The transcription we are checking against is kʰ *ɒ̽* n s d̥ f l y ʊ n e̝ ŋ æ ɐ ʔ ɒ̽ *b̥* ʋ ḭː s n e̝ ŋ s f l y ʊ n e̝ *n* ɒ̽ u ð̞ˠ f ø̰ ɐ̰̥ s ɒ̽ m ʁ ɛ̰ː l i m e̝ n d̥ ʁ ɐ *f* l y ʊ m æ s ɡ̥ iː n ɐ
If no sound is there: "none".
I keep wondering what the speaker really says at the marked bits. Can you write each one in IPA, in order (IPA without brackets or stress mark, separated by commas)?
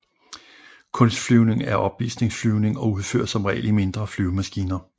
ɔ̽, b̥, ŋ, f